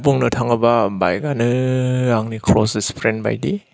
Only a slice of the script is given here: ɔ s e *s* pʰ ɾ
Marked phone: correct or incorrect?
correct